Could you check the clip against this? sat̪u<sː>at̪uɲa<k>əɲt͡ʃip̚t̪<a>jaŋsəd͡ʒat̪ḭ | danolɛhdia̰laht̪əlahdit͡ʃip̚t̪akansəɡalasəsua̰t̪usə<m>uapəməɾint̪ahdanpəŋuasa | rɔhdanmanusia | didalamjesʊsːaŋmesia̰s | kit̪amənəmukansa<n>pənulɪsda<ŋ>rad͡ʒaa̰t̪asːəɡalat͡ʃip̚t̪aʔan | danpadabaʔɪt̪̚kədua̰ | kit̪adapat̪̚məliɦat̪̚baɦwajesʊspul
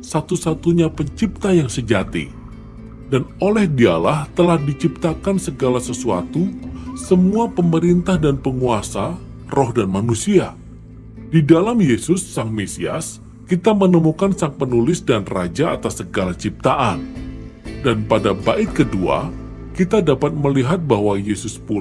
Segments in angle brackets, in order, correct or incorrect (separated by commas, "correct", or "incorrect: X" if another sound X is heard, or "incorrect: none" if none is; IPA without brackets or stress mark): incorrect: s, incorrect: p, correct, correct, incorrect: ŋ, incorrect: n